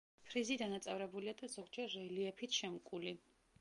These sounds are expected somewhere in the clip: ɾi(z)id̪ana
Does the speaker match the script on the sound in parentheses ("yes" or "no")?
yes